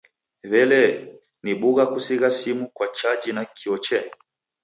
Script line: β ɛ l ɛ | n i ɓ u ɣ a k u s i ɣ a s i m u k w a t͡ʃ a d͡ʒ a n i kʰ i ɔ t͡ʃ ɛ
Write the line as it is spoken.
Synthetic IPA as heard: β ɛ l ɛ | n i ɓ u ɣ a k u s i ɣ a s i m u k w a t͡ʃ a d͡ʒ i n a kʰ i ɔ t͡ʃ ɛ

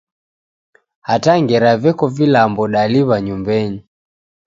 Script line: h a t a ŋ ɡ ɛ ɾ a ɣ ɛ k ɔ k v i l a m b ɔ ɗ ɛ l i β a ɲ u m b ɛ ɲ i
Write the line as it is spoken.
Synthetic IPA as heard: h a t a ŋ ɡ ɛ ɾ a v ɛ k ɔ v i l a m b ɔ ɗ a l i β a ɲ u m b ɛ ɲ i

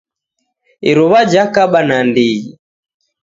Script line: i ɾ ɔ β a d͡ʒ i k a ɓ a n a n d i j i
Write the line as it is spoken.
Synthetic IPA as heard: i ɾ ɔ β a d͡ʒ a k a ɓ a n a n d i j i

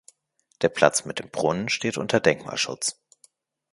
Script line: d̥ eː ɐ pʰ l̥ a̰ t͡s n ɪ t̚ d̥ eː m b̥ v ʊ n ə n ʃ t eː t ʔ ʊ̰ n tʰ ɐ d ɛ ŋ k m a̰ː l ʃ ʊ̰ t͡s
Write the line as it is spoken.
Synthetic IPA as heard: d̥ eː ɐ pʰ l̥ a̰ t͡s m ɪ t̚ d̥ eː m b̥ ʁ ʊ n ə n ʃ t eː t ʔ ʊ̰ n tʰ ɐ d ɛ ŋ k m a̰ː l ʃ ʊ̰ t͡s

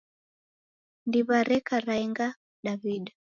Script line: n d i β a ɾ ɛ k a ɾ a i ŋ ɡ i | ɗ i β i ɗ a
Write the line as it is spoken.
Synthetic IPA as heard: n d i β a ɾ ɛ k a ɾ a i ŋ ɡ a | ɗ a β i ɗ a

